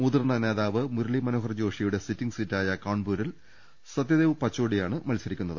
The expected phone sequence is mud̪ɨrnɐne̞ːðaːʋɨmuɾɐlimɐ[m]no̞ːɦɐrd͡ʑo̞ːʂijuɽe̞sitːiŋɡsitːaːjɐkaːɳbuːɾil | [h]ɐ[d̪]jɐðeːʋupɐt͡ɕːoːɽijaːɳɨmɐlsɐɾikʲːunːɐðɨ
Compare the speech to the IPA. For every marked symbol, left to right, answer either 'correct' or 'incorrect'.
incorrect: none, incorrect: s, correct

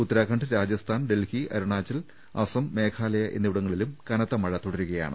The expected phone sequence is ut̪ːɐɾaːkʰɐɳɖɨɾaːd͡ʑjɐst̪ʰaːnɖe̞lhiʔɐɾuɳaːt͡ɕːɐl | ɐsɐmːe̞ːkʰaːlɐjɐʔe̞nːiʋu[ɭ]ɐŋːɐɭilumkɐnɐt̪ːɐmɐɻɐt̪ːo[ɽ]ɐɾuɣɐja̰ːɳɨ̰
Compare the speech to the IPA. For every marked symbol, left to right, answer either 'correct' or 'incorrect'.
incorrect: ɽ, correct

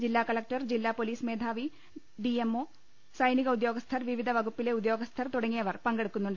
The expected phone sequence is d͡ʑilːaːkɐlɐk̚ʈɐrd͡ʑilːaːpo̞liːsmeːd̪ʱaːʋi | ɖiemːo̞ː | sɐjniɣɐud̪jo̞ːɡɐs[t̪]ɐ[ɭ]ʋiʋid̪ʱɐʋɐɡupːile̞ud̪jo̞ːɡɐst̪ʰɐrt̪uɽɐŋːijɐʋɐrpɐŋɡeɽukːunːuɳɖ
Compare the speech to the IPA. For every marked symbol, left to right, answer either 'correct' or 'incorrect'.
incorrect: t̪ʰ, incorrect: r

